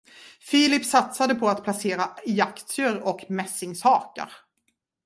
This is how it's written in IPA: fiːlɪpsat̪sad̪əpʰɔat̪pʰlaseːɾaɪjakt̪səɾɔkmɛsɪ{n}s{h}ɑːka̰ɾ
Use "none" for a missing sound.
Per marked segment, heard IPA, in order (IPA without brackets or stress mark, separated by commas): ŋ, h